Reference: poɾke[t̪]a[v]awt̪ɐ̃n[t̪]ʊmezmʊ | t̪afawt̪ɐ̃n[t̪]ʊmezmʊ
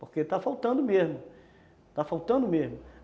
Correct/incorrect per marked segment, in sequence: correct, incorrect: f, incorrect: d̪, incorrect: d̪

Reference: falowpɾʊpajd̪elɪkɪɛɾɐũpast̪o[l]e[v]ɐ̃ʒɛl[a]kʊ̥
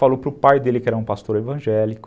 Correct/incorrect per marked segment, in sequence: incorrect: ɾ, correct, incorrect: i

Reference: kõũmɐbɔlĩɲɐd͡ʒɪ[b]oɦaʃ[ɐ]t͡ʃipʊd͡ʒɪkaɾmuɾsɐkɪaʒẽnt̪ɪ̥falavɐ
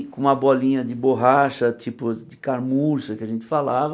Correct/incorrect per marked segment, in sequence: correct, correct

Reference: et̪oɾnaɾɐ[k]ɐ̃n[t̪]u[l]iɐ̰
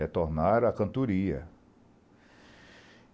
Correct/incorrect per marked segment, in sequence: correct, correct, incorrect: ɾ

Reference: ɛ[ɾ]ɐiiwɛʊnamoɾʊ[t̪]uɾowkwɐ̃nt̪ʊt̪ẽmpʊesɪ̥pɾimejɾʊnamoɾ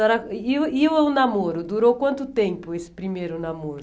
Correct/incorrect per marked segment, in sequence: correct, incorrect: d̪

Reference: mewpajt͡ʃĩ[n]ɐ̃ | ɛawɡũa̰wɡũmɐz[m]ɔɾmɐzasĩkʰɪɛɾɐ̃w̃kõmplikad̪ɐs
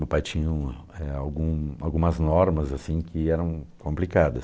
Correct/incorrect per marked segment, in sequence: incorrect: ɲ, incorrect: n

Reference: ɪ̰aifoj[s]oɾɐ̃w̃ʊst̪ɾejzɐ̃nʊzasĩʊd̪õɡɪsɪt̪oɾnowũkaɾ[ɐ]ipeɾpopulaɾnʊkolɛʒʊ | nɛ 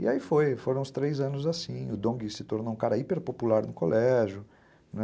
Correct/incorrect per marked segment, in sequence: incorrect: f, correct

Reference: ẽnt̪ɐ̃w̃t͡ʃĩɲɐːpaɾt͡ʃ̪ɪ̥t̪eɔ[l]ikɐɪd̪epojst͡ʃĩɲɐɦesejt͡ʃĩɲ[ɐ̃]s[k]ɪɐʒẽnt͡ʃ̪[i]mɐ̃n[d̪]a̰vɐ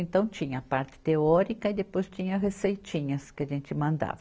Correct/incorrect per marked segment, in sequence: incorrect: ɾ, incorrect: ɐ, correct, incorrect: ɪ, correct

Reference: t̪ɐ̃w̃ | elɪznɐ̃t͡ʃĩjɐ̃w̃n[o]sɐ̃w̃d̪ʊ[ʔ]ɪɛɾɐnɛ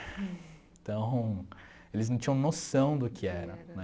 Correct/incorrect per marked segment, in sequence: correct, incorrect: k

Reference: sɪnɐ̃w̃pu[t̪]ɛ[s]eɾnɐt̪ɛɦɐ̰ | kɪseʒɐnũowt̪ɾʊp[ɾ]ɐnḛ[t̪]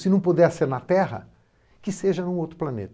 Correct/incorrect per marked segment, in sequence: incorrect: d̪, correct, incorrect: l, correct

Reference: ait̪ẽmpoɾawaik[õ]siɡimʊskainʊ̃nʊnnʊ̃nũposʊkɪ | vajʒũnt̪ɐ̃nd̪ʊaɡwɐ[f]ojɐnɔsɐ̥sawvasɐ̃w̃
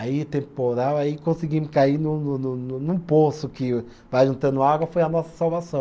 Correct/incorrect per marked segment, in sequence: correct, correct

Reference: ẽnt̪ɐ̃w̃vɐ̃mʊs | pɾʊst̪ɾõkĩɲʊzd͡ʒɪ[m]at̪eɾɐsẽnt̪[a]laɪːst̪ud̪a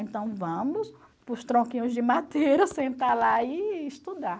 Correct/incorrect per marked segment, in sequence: correct, correct

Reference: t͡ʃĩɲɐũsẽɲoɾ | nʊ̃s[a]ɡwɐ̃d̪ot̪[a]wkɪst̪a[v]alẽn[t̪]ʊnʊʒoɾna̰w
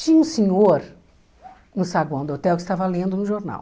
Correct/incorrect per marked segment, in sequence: correct, incorrect: ɛ, correct, incorrect: d̪

